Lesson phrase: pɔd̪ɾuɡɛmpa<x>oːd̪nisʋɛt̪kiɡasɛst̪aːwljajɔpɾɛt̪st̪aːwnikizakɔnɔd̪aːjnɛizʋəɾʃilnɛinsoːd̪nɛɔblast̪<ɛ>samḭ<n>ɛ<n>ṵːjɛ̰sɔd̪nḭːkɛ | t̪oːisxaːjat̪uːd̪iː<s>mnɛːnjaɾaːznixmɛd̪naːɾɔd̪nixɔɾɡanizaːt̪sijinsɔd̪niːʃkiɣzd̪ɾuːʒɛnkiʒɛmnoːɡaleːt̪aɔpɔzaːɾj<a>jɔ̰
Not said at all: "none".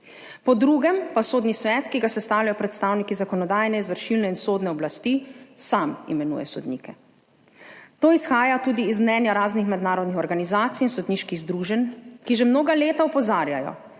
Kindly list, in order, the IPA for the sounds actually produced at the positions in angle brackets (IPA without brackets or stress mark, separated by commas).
s, i, m, n, z, a